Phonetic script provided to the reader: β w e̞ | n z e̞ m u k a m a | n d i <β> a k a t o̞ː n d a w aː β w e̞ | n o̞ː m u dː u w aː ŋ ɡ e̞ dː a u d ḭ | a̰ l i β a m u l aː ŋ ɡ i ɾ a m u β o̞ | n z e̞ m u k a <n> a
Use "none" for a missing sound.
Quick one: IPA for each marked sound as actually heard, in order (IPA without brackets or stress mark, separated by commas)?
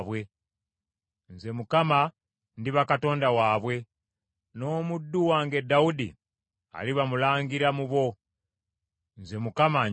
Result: β, m